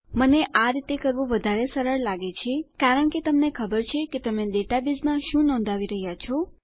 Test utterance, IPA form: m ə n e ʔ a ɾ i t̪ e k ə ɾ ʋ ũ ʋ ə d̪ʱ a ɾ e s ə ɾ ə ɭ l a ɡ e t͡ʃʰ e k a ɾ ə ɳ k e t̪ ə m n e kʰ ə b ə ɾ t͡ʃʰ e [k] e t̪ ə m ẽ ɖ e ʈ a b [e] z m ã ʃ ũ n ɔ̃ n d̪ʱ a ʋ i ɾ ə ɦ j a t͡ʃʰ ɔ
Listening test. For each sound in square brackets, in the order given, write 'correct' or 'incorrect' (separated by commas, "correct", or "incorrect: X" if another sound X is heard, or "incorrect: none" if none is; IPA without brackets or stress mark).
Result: correct, incorrect: i